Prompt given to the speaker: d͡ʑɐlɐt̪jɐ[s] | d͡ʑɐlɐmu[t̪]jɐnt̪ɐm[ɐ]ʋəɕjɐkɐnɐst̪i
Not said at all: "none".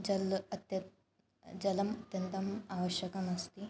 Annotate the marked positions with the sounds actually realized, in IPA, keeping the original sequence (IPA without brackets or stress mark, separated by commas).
none, t̪, a